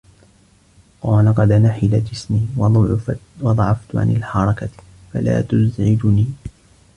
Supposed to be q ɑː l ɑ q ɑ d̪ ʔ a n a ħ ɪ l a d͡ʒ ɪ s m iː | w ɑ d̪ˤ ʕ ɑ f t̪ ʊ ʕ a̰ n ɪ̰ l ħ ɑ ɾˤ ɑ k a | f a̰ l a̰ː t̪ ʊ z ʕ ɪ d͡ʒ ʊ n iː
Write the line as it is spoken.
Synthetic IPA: q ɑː l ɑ q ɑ d̪ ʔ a n a ħ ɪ l a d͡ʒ ɪ s m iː | w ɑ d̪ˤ ʕ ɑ f t̪ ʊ ʕ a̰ n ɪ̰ l ħ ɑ ɾˤ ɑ k a | f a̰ l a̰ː t̪ ʊ z ʕ ɪ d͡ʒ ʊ n iː